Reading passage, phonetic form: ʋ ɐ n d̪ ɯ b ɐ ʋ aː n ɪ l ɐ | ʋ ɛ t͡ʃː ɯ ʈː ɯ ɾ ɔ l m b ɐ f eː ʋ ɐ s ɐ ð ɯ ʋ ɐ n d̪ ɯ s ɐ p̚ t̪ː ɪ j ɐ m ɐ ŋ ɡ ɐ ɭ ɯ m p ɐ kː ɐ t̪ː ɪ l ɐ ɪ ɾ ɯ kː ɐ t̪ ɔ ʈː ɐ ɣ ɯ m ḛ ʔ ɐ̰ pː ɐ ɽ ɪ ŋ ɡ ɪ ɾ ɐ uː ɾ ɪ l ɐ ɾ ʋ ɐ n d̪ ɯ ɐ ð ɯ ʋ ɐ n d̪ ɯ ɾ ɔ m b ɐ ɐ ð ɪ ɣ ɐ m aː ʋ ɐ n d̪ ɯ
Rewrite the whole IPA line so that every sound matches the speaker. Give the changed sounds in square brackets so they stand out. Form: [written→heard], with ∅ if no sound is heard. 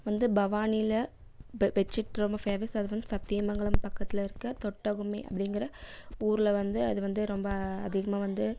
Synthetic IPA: ʋ ɐ n d̪ ɯ b ɐ ʋ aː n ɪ l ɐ | ʋ ɛ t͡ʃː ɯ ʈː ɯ ɾ ɔ [l→∅] m b ɐ f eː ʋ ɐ s ɐ ð ɯ ʋ ɐ n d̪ ɯ s ɐ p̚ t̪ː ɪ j ɐ m ɐ ŋ ɡ ɐ ɭ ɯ m p ɐ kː ɐ t̪ː ɪ l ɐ ɪ ɾ ɯ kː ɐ t̪ ɔ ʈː ɐ ɣ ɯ m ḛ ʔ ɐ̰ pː ɐ ɽ ɪ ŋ ɡ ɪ ɾ ɐ uː ɾ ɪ l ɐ [ɾ→∅] ʋ ɐ n d̪ ɯ ɐ ð ɯ ʋ ɐ n d̪ ɯ ɾ ɔ m b ɐ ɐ ð ɪ ɣ ɐ m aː ʋ ɐ n d̪ ɯ